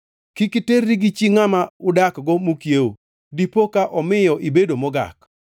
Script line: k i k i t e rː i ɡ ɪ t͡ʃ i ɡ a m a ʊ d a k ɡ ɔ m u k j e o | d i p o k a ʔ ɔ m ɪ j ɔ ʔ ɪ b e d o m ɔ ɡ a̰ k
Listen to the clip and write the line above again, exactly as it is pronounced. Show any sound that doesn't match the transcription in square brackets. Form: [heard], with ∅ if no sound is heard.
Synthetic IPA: k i k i t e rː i ɡ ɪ t͡ʃ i [ŋ] a m a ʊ d a k ɡ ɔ m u k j e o | d i p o k a ʔ ɔ m ɪ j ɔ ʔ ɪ b e d o m ɔ ɡ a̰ k